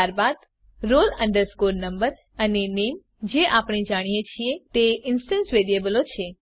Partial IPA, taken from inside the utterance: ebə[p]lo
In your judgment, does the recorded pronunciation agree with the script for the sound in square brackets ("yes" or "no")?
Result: no